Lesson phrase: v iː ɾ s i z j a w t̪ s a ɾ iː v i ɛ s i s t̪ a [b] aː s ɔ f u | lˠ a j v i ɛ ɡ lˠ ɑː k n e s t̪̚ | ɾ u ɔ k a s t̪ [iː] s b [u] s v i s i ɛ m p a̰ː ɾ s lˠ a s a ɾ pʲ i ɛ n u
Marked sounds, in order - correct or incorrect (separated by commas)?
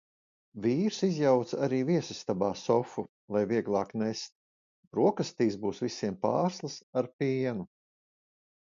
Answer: correct, correct, incorrect